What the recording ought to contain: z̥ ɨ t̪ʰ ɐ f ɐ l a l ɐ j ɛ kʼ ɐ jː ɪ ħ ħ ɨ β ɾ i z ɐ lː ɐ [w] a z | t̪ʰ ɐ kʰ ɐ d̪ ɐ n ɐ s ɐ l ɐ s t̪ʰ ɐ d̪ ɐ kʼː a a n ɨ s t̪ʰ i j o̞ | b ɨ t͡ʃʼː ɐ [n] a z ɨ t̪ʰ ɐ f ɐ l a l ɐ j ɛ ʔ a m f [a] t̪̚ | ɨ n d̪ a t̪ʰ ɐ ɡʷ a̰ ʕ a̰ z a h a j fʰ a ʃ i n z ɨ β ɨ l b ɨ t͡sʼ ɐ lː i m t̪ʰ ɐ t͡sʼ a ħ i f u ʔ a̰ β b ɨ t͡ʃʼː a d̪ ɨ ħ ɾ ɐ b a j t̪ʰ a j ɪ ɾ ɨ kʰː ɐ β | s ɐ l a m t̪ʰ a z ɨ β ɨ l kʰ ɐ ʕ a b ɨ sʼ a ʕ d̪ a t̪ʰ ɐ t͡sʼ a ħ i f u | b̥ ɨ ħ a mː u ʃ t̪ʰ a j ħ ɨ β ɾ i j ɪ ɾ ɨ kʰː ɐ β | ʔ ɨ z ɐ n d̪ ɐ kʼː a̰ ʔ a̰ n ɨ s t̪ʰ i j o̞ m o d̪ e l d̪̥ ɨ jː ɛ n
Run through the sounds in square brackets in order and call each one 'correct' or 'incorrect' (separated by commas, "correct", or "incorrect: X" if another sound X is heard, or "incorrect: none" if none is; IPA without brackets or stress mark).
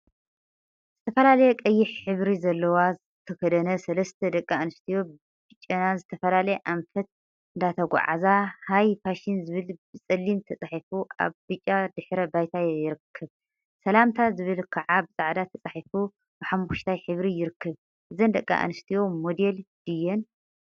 correct, correct, incorrect: ɐ